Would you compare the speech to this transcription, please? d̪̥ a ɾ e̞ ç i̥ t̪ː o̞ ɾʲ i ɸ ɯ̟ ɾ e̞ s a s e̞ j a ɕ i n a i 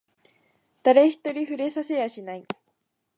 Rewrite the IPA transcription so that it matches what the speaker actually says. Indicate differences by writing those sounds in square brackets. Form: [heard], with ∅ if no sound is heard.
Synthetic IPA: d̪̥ a ɾ e̞ ç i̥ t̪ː o̞ ɾʲ i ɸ ɯ̟ ɾ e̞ s a s e̞ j a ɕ i n a i